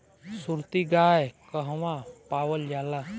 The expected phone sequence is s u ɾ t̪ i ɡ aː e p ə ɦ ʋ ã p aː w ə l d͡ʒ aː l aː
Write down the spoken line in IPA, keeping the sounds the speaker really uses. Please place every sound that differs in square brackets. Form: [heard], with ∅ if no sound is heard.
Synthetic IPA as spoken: s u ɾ t̪ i ɡ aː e [k] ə ɦ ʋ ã p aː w ə l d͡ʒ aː l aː